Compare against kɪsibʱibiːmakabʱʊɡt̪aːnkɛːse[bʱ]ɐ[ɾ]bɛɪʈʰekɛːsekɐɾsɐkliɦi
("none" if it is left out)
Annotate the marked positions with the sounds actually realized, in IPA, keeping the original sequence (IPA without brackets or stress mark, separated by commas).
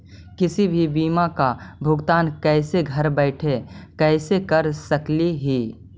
ɡʱ, ɾ